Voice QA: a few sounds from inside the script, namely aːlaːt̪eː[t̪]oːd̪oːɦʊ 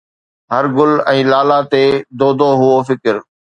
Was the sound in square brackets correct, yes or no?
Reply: no